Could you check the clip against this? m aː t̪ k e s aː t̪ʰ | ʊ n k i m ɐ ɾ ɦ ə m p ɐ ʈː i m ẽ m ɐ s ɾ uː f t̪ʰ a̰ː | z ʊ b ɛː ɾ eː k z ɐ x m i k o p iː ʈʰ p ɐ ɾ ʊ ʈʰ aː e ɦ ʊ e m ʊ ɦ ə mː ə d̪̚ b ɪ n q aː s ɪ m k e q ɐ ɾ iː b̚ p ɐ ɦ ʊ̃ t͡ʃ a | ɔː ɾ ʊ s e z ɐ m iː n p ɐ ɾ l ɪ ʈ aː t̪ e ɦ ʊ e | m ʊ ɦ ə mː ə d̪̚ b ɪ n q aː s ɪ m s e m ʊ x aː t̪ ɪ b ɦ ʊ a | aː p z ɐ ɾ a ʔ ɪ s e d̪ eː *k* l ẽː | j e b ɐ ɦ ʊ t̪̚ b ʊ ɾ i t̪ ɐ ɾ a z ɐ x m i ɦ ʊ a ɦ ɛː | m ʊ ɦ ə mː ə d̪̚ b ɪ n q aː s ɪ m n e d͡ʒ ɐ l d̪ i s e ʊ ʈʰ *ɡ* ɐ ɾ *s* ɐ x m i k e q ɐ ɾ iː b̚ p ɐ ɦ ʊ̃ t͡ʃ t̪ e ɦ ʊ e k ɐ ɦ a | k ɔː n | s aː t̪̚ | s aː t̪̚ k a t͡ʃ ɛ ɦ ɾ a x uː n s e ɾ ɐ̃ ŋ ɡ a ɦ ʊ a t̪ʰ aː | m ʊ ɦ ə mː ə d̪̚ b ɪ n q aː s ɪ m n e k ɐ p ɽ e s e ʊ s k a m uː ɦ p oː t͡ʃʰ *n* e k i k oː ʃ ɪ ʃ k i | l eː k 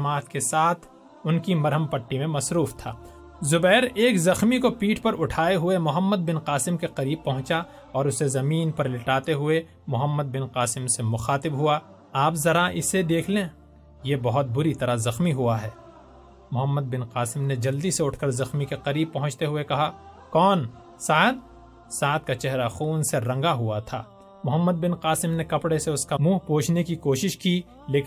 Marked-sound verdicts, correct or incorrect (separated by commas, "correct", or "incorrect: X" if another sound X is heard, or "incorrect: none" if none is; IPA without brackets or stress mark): incorrect: kʰ, incorrect: k, incorrect: z, correct